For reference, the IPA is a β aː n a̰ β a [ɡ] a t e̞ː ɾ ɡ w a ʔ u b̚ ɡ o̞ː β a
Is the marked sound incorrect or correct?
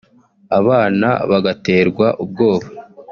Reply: correct